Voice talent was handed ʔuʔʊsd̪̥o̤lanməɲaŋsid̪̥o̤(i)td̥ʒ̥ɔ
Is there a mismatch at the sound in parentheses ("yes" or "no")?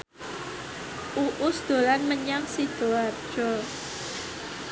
yes